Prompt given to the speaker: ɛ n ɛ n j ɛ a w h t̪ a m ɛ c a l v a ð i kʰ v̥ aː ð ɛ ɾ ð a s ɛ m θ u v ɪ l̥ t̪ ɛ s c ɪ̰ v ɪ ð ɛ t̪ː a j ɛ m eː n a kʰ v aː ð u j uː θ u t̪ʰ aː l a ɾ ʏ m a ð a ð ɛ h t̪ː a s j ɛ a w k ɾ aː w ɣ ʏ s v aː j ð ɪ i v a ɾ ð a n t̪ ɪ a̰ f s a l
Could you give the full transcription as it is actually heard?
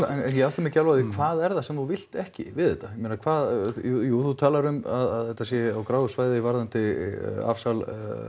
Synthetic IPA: ɛ n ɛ n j ɛ a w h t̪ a m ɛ c a l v a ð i kʰ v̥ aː ð ɛ ɾ ð a s ɛ m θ u v ɪ l̥ t̪ ɛ h c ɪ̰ v ɪ ð ɛ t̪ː a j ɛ m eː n a kʰ v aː ð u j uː θ u t̪ʰ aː l a ɾ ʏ m a ð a ð ɛ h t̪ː a s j ɛ a w k ɾ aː w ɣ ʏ s v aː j ð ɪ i v a ɾ ð a n t̪ ɪ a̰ f s a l

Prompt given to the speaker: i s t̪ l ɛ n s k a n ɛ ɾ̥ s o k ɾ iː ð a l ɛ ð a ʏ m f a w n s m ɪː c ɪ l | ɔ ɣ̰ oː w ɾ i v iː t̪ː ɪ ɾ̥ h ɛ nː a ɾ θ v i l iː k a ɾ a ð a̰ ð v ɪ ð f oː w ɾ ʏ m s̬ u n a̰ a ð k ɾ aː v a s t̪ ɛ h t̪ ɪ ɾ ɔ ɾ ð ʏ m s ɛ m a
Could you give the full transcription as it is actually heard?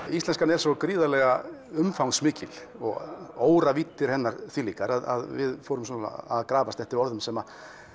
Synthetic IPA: i s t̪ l ɛ n s k a n ɛ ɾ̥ s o k ɾ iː ð a l ɛ ɣ a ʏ m f a w n s m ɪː c ɪ l | ɔ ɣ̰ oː w ɾ a v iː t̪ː ɪ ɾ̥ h ɛ nː a ɾ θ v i l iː k a ɾ a ð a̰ ð v ɪ ð f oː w ɾ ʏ m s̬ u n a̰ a ð k ɾ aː v a s t̪ ɛ h t̪ ɪ ɾ ɔ ɾ ð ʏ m s ɛ m a

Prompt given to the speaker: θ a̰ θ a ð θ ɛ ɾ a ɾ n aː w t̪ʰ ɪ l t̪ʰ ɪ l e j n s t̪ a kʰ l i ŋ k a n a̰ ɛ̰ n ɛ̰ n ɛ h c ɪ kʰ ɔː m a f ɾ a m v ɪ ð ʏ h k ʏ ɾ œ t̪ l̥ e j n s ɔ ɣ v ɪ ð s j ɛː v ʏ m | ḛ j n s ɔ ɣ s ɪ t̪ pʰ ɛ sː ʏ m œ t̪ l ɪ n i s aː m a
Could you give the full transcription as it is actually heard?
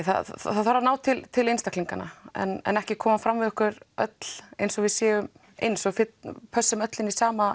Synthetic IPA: θ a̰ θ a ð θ a ɾ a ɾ n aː w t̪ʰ ɪ l t̪ʰ ɪ l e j n s t̪ a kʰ l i ŋ k a n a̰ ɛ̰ n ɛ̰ n ɛ h c ɪ kʰ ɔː m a f ɾ a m v ɪ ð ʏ h k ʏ ɾ œ t̪ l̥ e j n s ɔ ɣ v ɪ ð s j ɛː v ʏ m | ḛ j n s ɔ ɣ f ɪ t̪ pʰ œ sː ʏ m œ t̪ l ɪ n i s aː m a

